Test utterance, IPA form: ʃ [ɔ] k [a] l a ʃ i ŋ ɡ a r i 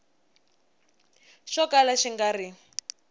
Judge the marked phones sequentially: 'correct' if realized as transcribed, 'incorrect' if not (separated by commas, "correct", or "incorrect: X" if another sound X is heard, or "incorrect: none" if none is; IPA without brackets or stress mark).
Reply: correct, correct